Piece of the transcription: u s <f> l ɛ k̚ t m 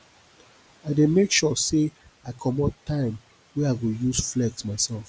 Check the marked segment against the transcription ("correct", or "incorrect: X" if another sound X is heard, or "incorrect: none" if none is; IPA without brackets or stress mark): correct